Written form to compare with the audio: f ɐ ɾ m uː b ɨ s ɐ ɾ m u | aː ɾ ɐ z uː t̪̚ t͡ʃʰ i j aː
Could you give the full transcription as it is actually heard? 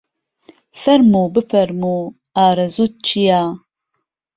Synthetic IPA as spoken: f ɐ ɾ m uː b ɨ f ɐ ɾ m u | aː ɾ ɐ z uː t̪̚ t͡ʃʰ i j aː